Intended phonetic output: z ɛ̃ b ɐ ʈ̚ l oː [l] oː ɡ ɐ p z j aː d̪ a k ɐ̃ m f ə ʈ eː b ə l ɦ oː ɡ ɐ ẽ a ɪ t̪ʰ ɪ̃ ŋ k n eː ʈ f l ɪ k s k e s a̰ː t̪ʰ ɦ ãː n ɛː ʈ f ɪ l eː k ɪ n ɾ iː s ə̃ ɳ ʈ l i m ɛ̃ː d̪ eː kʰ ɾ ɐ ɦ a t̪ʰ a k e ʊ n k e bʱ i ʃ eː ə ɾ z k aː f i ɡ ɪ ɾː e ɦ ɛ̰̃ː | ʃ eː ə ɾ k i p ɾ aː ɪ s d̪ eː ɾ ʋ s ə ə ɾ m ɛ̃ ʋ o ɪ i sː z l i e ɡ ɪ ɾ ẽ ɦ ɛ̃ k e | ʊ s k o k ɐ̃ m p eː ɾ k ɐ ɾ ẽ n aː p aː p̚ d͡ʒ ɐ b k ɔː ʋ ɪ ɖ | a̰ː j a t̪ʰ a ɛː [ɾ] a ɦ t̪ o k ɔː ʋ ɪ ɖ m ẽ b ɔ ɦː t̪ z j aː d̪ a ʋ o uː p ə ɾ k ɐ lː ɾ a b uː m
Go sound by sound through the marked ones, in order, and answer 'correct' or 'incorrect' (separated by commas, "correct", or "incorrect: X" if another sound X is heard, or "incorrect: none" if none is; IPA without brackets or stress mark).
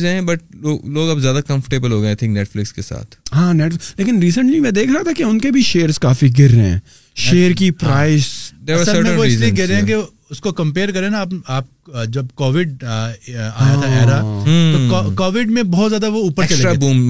correct, correct